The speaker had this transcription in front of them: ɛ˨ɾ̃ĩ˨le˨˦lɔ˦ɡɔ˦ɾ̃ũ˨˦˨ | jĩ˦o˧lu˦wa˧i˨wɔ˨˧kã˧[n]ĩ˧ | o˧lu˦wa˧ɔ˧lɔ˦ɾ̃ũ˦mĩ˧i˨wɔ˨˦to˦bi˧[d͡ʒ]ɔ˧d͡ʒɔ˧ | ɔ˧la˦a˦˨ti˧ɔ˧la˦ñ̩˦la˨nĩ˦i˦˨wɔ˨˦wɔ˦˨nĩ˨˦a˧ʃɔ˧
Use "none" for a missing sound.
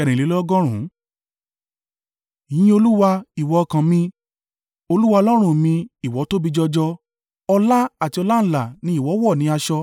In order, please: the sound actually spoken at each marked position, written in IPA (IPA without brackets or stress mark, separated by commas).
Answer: m, d͡ʒ